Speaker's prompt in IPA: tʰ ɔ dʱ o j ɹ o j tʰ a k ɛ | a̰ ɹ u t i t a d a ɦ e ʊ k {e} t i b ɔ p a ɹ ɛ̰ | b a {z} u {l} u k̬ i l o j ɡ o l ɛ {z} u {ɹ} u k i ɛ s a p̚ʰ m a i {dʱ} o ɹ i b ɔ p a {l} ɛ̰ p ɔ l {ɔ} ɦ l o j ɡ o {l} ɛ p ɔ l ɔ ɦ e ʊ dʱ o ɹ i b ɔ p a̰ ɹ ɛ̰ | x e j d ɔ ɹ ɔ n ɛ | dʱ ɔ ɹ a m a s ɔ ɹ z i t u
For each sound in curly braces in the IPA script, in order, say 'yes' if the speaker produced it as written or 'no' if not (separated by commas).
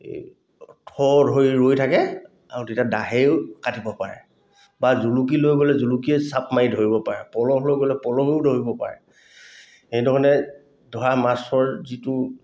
no, yes, yes, yes, no, yes, no, yes, yes